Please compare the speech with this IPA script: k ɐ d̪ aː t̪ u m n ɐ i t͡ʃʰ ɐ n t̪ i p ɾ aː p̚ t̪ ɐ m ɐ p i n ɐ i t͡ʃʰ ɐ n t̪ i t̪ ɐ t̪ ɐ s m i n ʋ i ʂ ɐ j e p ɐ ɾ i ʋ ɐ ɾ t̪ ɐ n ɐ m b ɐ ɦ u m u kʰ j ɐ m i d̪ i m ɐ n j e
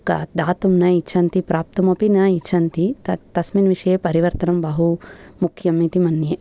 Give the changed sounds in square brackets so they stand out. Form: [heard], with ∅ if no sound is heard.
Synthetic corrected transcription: k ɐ d̪ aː t̪ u m n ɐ i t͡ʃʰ ɐ n t̪ i p ɾ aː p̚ t̪ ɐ m ɐ p i n ɐ i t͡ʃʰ ɐ n t̪ i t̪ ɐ t̪ ɐ s m i n ʋ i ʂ ɐ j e p ɐ ɾ i ʋ ɐ ɾ t̪ ɐ n ɐ m b ɐ ɦ u m u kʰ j ɐ m i [t̪] i m ɐ n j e

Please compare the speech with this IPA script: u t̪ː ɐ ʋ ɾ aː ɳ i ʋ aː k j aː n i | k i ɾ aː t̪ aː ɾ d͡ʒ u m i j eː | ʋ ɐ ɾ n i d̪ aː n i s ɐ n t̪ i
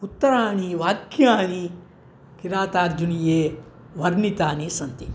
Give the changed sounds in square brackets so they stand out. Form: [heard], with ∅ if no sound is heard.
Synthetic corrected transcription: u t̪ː ɐ [∅] ɾ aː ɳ i ʋ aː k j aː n i | k i ɾ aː t̪ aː ɾ d͡ʒ u [n] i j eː | ʋ ɐ ɾ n i [t̪] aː n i s ɐ n t̪ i

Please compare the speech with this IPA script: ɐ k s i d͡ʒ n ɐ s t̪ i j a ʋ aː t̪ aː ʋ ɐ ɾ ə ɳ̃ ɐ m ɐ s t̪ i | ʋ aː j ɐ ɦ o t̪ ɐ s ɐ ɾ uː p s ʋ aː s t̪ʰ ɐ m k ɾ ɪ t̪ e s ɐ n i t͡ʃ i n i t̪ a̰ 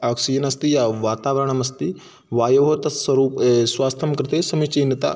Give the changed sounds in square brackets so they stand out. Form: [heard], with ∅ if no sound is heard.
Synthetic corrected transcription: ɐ k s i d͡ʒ n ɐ s t̪ i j a ʋ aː t̪ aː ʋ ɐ ɾ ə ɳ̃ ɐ m ɐ s t̪ i | ʋ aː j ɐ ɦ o t̪ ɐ s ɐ ɾ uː p s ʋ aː s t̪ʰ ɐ m k ɾ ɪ t̪ e s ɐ [m] i t͡ʃ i n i t̪ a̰

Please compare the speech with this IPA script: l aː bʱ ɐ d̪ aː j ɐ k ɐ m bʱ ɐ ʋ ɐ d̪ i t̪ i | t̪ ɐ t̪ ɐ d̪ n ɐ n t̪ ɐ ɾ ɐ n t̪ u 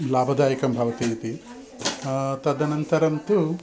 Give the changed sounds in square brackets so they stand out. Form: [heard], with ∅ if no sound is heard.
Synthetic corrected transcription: l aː bʱ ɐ d̪ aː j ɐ k ɐ m bʱ ɐ ʋ ɐ [t̪] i t̪ i | t̪ ɐ [d̪] ɐ [∅] n ɐ n t̪ ɐ ɾ ɐ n t̪ u

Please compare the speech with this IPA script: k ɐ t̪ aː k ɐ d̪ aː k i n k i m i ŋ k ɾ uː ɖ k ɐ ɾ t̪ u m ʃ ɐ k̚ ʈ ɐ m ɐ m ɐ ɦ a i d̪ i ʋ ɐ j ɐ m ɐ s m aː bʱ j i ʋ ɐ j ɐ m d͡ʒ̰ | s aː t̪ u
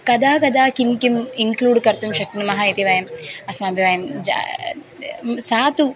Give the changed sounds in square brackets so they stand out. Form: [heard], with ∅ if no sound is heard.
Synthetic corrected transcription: k ɐ [d̪] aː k ɐ d̪ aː k i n k i m i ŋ k [l] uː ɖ k ɐ ɾ t̪ u m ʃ ɐ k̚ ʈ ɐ [n] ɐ m ɐ ɦ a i [t̪] i ʋ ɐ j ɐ m ɐ s m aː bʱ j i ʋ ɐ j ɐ m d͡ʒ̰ | s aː t̪ u

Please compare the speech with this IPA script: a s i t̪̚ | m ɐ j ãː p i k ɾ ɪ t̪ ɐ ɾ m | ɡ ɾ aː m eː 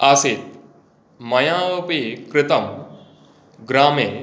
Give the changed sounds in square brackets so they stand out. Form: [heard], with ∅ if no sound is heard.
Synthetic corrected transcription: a s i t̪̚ | m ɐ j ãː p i k ɾ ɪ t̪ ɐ [∅] m | ɡ ɾ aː m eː

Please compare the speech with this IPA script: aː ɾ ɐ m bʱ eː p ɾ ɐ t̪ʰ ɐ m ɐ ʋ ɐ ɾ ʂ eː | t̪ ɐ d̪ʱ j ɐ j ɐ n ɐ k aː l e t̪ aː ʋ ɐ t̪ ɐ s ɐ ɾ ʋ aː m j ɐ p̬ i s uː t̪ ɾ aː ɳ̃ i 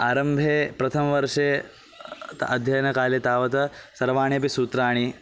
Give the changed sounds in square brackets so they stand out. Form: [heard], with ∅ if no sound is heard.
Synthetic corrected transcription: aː ɾ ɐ m bʱ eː p ɾ ɐ t̪ʰ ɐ m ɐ ʋ ɐ ɾ ʂ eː | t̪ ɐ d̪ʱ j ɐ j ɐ n ɐ k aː l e t̪ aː ʋ ɐ t̪ ɐ s ɐ ɾ ʋ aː [ɳ] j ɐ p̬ i s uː t̪ ɾ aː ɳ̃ i

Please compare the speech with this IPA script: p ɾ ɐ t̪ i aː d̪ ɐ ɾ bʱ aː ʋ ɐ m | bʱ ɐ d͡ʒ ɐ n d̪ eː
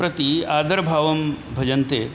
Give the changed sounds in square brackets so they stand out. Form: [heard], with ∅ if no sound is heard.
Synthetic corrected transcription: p ɾ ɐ t̪ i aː d̪ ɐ ɾ bʱ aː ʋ ɐ m | bʱ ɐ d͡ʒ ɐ n [t̪] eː

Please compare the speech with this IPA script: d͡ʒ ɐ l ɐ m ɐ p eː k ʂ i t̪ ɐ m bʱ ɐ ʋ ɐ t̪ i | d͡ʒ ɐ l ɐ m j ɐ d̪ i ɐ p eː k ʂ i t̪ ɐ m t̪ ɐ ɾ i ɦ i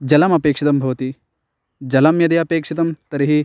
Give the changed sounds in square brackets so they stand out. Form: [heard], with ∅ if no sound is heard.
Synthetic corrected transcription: d͡ʒ ɐ l ɐ m ɐ p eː k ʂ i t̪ ɐ m bʱ ɐ ʋ ɐ t̪ i | d͡ʒ ɐ l ɐ m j ɐ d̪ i ɐ p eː k ʂ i t̪ ɐ m t̪ ɐ ɾ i ɦ i

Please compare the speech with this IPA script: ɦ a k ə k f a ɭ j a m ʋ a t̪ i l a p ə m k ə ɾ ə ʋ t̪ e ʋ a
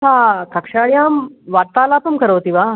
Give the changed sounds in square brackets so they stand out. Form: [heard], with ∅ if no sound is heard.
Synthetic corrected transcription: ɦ a k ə k [ʂ] a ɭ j a m ʋ a t̪ [a] l a p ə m k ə ɾ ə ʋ t̪ [i] ʋ a

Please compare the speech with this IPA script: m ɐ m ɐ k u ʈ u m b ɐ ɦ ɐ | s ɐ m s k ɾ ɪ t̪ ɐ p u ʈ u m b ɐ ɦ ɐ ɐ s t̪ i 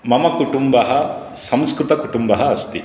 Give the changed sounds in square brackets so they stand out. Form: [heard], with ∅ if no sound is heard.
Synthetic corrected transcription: m ɐ m ɐ k u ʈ u m b ɐ ɦ ɐ | s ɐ m s k ɾ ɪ t̪ ɐ [k] u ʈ u m b ɐ ɦ ɐ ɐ s t̪ i

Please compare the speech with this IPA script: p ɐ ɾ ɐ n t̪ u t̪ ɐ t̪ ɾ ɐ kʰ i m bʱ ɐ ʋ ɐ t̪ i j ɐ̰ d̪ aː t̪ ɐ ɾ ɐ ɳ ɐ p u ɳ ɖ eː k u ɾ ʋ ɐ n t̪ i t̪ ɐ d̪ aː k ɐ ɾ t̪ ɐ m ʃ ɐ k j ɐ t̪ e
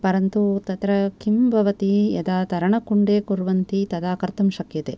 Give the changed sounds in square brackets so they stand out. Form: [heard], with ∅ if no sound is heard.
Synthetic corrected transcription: p ɐ ɾ ɐ n t̪ u t̪ ɐ t̪ ɾ ɐ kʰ i m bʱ ɐ ʋ ɐ t̪ i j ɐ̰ d̪ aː t̪ ɐ ɾ ɐ ɳ ɐ [k] u ɳ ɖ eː k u ɾ ʋ ɐ n t̪ i t̪ ɐ d̪ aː k ɐ ɾ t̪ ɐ m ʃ ɐ k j ɐ t̪ e

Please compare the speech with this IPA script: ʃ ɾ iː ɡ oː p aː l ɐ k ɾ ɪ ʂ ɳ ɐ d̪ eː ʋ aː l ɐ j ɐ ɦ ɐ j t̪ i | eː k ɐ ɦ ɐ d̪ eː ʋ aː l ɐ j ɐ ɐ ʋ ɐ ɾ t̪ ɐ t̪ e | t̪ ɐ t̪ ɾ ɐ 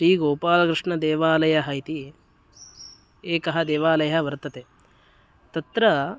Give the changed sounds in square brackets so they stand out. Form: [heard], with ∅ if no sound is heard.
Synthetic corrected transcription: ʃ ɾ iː ɡ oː p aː l ɐ k ɾ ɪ ʂ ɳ ɐ d̪ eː ʋ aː l ɐ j ɐ ɦ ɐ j t̪ i | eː k ɐ ɦ ɐ d̪ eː ʋ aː l ɐ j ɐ ɐ ʋ ɐ ɾ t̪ ɐ t̪ e | t̪ ɐ t̪ ɾ ɐ

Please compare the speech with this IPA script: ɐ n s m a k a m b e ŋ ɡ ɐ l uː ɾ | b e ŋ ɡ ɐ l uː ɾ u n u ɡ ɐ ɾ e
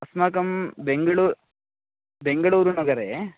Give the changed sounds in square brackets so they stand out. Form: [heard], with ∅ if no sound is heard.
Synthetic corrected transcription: ɐ [∅] s m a k [ɐ] m b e ŋ ɡ ɐ [ɭ] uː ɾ | b e ŋ ɡ ɐ [ɭ] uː ɾ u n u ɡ ɐ ɾ e

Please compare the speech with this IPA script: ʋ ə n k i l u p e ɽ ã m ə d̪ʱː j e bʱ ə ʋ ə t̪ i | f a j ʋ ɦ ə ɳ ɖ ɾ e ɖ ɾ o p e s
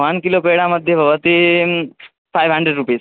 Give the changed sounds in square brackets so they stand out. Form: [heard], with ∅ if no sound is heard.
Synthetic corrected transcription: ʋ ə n k i l [o] p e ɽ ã m ə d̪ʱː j e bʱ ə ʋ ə t̪ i | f a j ʋ ɦ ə ɳ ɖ ɾ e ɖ ɾ [u] p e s

